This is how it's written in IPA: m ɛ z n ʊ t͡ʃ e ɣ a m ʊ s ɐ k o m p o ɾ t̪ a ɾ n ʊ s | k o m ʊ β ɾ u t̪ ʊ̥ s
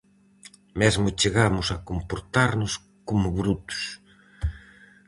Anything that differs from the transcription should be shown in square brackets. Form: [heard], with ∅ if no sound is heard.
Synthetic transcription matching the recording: m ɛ z [m] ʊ t͡ʃ e ɣ a m ʊ s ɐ k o m p o ɾ t̪ a ɾ n ʊ s | k o m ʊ β ɾ u t̪ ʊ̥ s